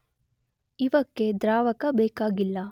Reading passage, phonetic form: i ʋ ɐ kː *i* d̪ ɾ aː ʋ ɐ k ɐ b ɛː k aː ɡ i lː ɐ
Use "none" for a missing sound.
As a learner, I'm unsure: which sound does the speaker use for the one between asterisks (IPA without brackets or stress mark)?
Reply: e